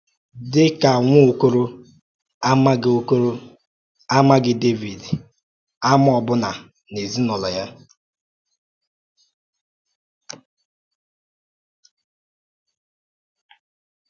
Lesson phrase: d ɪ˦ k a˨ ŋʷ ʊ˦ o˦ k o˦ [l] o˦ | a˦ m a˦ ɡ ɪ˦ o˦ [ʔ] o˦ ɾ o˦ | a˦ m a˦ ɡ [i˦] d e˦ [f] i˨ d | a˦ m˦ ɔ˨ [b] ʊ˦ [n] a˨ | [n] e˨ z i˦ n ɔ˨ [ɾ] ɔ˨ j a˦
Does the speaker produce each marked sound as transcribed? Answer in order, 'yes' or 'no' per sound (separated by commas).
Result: no, no, no, no, yes, yes, yes, no